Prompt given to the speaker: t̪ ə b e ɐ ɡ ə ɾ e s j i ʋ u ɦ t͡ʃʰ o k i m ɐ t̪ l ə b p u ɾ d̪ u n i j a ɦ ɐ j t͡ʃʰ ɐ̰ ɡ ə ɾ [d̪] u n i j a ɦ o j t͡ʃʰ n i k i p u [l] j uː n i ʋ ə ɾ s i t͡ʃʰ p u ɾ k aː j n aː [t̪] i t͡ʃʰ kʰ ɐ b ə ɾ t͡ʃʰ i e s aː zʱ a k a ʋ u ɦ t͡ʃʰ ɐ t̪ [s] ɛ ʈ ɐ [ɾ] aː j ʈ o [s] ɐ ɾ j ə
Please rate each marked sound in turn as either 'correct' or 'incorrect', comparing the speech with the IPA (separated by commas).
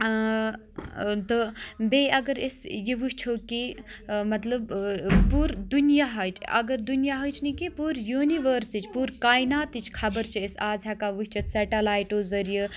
correct, incorrect, correct, correct, incorrect, incorrect